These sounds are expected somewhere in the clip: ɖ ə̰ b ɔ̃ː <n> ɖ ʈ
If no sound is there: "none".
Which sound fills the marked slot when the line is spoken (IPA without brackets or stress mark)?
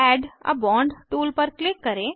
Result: ɳ